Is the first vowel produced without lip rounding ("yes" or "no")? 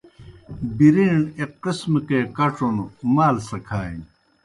yes